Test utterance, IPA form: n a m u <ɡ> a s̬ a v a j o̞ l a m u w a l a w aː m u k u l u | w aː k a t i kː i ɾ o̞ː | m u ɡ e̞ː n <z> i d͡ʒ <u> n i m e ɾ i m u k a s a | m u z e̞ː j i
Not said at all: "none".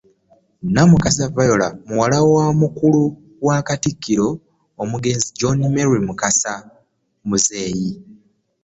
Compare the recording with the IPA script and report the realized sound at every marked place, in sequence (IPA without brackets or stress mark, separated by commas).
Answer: k, z, o